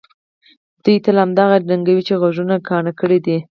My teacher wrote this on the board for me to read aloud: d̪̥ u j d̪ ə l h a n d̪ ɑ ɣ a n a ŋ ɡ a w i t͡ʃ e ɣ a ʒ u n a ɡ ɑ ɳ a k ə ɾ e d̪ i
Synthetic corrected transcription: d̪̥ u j t̪ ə l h a m d̪ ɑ ɣ a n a ŋ ɡ a w i t͡ʃ e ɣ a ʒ u n a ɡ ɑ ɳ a k ə ɽ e d̪ i